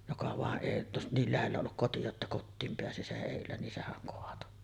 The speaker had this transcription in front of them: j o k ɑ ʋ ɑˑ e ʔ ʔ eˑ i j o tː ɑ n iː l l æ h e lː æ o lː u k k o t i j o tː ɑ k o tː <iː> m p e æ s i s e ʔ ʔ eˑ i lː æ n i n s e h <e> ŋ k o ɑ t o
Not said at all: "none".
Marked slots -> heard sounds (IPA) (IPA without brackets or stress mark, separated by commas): iː, æ